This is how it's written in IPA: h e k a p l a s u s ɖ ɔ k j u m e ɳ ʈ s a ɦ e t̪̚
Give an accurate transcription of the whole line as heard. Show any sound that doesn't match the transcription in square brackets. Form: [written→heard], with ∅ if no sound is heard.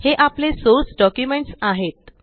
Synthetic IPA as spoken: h e [k→ʔ] a p l [a→e] s [u→o] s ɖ ɔ k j u m e ɳ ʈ s a ɦ e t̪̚